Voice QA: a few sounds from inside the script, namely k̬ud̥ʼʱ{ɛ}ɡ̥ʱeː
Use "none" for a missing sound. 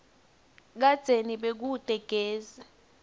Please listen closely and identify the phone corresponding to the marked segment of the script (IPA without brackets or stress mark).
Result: ɛ